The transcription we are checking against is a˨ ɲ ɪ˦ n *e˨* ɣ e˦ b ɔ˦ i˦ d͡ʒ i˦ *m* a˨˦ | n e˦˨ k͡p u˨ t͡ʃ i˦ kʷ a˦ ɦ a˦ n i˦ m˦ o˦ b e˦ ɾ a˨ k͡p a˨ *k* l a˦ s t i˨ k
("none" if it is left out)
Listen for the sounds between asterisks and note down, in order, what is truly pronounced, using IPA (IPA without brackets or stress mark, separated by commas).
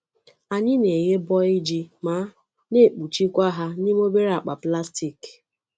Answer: e˨, m, p